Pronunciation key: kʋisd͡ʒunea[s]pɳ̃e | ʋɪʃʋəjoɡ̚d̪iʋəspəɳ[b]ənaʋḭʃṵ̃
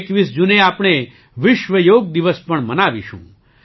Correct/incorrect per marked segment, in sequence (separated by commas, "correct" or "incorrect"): incorrect, incorrect